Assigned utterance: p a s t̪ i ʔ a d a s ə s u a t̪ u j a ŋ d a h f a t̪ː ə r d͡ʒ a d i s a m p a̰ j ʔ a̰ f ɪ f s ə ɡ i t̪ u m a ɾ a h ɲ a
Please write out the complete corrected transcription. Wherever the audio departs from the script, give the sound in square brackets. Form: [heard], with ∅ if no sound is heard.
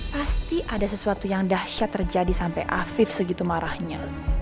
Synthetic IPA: p a s t̪ i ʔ a d a s ə s u a t̪ u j a ŋ d a h [ʃ] a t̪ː ə r d͡ʒ a d i s a m p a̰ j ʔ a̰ f ɪ f s ə ɡ i t̪ u m a ɾ a h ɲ a